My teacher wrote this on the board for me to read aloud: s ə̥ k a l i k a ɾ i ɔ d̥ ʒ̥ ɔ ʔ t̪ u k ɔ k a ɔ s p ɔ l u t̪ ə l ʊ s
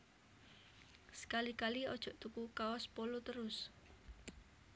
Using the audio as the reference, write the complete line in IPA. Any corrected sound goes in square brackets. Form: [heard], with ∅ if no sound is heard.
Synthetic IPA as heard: s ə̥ k a l i k a [l] i ɔ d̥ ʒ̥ ɔ ʔ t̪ u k [u] k a ɔ s p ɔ l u t̪ ə [ɾ] ʊ s